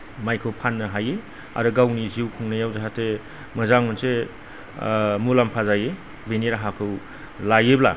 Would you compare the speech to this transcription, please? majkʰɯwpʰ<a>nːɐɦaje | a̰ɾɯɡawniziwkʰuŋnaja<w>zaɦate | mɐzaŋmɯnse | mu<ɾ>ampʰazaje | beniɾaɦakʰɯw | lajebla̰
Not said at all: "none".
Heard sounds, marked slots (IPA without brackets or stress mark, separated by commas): a, w, l